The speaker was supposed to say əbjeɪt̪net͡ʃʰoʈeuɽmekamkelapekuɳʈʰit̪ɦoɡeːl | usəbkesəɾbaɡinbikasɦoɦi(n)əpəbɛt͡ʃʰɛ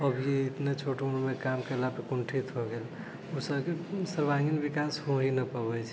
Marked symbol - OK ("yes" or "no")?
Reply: yes